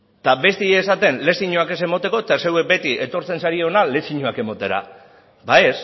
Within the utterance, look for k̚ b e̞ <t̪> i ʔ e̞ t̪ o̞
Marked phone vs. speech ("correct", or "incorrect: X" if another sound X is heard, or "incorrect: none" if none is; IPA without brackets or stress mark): correct